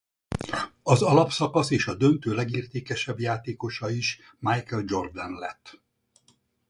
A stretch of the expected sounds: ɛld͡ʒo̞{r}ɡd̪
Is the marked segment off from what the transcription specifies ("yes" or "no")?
no